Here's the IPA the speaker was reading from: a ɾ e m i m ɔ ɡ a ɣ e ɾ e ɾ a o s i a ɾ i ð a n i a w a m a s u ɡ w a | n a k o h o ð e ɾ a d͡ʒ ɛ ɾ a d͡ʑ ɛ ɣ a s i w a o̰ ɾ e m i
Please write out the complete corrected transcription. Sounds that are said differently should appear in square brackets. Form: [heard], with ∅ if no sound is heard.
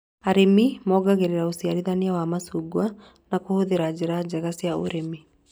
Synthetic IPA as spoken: a ɾ e m i m ɔ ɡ a ɣ e ɾ e ɾ a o s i a ɾ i ð a n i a w a m a s u ɡ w a | n a k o h o ð e ɾ a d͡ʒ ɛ ɾ a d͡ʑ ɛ ɣ a s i [∅] a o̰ ɾ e m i